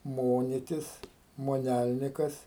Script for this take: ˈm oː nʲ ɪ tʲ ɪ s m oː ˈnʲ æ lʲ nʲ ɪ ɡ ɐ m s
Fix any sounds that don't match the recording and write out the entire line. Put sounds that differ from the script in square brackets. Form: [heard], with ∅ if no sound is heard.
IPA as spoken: ˈm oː nʲ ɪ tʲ ɪ s m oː ˈnʲ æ lʲ nʲ ɪ [k] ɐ [∅] s

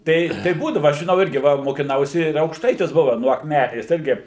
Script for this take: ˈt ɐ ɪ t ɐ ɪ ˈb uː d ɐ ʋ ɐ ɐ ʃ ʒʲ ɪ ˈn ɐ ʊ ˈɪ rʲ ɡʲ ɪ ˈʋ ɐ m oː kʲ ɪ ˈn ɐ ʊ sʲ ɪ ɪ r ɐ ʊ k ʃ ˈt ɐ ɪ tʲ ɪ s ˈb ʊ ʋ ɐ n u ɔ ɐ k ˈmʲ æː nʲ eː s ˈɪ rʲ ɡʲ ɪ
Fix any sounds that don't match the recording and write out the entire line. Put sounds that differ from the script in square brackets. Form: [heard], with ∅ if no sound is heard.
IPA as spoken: ˈt ɐ ɪ t ɐ ɪ ˈb uː d ɐ ʋ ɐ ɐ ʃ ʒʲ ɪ ˈn ɐ ʊ ˈɪ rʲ ɡʲ ɪ ˈʋ ɐ m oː kʲ ɪ ˈn ɐ ʊ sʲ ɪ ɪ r ɐ ʊ k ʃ ˈt ɐ ɪ tʲ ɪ s ˈb ʊ ʋ ɐ n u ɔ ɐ k ˈmʲ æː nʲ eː s ˈɪ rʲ ɡʲ ɪ

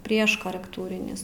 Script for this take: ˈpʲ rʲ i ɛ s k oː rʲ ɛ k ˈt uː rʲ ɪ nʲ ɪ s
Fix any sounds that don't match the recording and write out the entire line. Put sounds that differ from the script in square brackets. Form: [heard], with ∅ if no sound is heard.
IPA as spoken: ˈpʲ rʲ i ɛ [ʃ] k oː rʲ ɛ k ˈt uː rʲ ɪ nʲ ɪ s

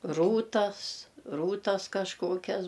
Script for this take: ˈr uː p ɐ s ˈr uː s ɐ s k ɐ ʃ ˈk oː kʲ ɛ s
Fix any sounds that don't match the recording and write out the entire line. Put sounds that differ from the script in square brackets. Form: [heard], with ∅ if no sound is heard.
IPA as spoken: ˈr uː [t] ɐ s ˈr uː [t] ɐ s k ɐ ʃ ˈk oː kʲ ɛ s

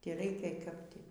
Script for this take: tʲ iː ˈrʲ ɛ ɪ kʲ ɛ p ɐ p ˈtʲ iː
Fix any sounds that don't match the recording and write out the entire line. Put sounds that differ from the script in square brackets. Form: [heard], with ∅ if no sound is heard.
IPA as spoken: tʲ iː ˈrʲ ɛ ɪ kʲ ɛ [k] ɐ p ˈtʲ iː

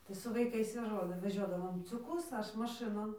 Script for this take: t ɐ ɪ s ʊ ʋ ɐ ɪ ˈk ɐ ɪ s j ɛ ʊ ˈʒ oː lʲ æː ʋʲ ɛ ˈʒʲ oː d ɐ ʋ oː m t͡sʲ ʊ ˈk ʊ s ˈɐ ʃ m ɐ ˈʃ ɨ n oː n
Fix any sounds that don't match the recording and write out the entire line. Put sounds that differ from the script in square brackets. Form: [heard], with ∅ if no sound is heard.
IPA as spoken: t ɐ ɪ s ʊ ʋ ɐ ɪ ˈk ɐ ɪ s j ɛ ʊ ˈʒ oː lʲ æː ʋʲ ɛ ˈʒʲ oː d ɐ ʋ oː m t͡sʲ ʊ ˈk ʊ s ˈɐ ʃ m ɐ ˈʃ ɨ n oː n

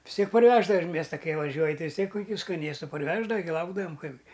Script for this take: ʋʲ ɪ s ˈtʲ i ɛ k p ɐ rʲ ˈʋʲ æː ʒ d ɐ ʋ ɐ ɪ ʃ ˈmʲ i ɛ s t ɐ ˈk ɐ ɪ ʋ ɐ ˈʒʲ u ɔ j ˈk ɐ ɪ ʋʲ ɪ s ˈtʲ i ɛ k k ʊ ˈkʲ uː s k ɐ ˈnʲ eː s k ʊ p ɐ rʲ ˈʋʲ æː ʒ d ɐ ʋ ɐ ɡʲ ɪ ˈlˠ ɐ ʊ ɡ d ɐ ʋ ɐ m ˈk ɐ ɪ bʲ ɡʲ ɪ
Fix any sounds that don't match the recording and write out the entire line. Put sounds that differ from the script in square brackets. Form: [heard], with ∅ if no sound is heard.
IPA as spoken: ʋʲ ɪ s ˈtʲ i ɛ k p ɐ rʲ ˈʋʲ æː ʒ d ɐ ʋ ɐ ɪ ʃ ˈmʲ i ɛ s t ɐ ˈk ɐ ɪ ʋ ɐ ˈʒʲ u ɔ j [ˈt] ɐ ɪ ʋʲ ɪ s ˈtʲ i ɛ k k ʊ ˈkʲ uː s k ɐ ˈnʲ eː s [t] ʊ p ɐ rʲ ˈʋʲ æː ʒ d ɐ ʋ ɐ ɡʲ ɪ ˈlˠ ɐ ʊ ɡ d ɐ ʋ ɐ m ˈk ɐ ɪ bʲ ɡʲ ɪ

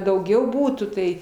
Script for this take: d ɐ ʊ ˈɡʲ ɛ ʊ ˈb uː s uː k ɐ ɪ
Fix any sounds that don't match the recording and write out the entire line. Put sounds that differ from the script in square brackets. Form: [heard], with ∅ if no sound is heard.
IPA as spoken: d ɐ ʊ ˈɡʲ ɛ ʊ ˈb uː [t] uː [t] ɐ ɪ

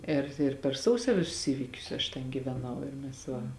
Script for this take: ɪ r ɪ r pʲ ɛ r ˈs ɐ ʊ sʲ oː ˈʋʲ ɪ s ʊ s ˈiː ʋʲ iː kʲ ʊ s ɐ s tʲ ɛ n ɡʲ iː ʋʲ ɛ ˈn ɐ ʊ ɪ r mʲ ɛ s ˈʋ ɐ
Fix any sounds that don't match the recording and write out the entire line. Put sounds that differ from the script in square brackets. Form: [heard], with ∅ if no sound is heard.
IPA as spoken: ɪ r ɪ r pʲ ɛ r ˈs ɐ ʊ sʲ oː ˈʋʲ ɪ s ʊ s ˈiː ʋʲ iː kʲ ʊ s ɐ [ʃ] tʲ ɛ n ɡʲ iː ʋʲ ɛ ˈn ɐ ʊ ɪ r mʲ ɛ s ˈʋ ɐ

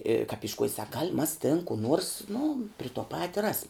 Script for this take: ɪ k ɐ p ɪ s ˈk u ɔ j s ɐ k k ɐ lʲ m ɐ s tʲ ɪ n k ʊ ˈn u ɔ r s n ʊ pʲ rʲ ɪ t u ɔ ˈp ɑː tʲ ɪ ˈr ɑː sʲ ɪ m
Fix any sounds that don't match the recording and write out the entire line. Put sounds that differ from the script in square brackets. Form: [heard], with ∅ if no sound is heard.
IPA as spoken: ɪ k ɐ p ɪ [ʃ] ˈk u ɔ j s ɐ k [ɡ] ɐ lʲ m ɐ s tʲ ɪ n k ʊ ˈn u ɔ r s n ʊ pʲ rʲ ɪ t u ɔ ˈp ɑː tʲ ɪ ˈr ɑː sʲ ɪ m

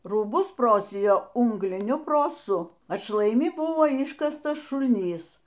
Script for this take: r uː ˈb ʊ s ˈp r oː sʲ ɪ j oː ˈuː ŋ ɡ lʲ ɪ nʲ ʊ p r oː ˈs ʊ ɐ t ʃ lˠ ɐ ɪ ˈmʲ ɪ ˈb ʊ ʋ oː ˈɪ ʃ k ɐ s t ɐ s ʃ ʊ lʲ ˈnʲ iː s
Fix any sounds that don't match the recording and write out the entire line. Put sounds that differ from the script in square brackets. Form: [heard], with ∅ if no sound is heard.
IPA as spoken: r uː ˈb ʊ s ˈp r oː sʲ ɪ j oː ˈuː ŋ ɡ lʲ ɪ nʲ ʊ p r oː ˈs ʊ ɐ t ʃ lˠ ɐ ɪ ˈmʲ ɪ ˈb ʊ ʋ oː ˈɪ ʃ k ɐ s t ɐ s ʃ ʊ lʲ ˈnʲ iː s

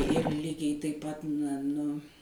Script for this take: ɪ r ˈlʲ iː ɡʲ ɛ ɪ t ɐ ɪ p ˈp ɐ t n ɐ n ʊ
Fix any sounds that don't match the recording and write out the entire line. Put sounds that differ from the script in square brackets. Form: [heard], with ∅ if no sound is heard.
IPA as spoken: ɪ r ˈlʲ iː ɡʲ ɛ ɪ t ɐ ɪ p ˈp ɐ t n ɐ n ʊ

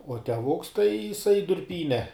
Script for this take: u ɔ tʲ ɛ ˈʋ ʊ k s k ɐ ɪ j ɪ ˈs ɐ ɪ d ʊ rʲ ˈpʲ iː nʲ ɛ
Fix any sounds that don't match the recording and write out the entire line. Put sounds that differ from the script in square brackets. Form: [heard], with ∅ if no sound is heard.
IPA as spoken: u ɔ tʲ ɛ ˈʋ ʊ k s [t] ɐ ɪ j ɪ ˈs ɐ ɪ d ʊ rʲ ˈpʲ iː nʲ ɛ

